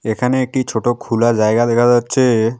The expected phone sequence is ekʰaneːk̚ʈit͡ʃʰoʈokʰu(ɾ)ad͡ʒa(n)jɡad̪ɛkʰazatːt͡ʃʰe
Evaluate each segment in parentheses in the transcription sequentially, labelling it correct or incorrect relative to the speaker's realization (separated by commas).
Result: incorrect, incorrect